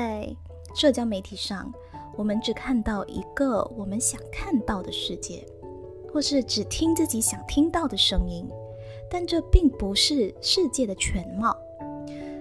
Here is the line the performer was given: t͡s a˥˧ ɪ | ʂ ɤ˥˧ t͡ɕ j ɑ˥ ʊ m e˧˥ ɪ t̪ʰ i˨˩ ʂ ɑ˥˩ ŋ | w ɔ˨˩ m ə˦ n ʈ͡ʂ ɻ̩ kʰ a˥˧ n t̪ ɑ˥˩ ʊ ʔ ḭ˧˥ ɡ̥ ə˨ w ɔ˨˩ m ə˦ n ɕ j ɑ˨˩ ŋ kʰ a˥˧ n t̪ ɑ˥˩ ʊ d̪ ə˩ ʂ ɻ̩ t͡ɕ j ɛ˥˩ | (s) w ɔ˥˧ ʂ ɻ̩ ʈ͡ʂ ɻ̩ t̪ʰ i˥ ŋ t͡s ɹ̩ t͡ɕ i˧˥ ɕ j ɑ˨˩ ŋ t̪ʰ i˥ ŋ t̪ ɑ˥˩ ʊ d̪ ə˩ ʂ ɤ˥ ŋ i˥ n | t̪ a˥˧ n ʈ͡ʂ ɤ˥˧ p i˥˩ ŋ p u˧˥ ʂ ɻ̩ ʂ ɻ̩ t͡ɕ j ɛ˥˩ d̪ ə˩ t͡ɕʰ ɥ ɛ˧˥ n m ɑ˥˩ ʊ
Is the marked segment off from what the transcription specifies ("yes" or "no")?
yes